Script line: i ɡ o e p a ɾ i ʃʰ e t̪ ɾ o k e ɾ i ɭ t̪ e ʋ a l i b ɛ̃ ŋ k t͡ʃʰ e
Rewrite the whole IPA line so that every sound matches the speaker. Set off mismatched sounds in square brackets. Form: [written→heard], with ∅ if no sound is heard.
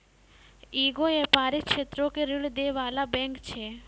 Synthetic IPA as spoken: i ɡ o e p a ɾ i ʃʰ e t̪ ɾ o k e ɾ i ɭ [t̪→d̪] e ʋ a l [i→a] b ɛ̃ ŋ k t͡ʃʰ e